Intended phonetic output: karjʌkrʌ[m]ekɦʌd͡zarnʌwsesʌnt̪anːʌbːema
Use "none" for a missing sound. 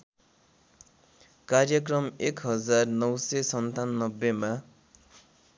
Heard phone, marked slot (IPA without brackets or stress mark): m